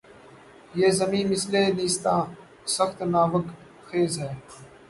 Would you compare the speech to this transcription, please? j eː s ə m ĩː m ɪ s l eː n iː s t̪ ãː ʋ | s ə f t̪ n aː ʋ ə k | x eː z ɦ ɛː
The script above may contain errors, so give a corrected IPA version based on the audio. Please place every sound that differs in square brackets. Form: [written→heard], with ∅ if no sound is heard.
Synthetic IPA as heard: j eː [s→z] ə m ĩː m ɪ s l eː n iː s t̪ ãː [ʋ→∅] | s ə [f→x] t̪ n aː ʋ ə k | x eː z ɦ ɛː